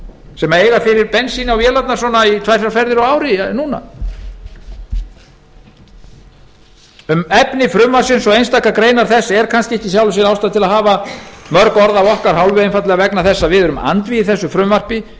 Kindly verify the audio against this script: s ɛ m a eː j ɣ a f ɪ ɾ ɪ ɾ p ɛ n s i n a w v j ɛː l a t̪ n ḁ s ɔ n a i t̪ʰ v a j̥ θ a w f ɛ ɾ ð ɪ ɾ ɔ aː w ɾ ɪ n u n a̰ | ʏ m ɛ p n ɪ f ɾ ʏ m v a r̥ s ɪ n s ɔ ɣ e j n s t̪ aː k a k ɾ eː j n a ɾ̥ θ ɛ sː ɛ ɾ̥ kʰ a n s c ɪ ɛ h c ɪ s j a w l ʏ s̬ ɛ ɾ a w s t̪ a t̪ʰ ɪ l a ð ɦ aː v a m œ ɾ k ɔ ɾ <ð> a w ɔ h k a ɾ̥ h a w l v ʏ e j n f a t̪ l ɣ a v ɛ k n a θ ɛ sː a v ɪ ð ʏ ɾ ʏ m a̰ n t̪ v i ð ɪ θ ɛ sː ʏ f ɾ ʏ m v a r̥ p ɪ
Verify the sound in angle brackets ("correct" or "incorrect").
correct